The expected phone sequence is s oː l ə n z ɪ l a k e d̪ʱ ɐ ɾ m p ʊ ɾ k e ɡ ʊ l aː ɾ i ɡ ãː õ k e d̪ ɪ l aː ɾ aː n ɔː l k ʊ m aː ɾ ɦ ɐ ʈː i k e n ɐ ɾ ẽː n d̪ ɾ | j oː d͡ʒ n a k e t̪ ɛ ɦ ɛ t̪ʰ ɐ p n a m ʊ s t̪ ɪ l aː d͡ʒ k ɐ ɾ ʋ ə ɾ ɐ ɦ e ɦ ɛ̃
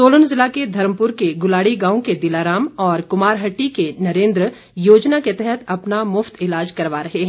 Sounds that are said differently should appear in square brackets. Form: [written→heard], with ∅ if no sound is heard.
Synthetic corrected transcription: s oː l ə n z ɪ l a k e d̪ʱ ɐ ɾ m p ʊ ɾ k e ɡ ʊ l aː [ɾ→ɽ] i ɡ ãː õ k e d̪ ɪ l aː ɾ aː [n→m] ɔː [l→ɾ] k ʊ m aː ɾ ɦ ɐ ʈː i k e n ɐ ɾ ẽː n d̪ ɾ | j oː d͡ʒ n a k e t̪ ɛ ɦ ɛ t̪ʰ ɐ p n a m ʊ [s→f] t̪ ɪ l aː d͡ʒ k ɐ ɾ ʋ [ə→a] ɾ ɐ ɦ e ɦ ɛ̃